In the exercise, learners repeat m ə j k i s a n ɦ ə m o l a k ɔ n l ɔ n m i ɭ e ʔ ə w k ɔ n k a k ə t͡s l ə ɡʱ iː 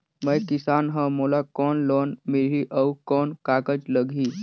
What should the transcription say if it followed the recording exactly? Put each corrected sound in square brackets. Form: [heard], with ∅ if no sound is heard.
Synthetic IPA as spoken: m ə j k i s a n ɦ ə m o l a k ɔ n l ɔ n m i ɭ [i] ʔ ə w k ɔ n k a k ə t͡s l ə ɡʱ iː